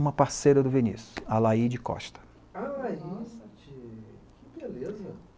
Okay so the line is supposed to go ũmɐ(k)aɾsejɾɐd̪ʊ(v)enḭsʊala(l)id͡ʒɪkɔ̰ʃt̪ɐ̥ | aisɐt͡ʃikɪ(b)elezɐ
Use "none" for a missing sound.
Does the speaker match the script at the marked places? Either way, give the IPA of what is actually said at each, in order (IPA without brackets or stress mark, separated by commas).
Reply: p, v, none, b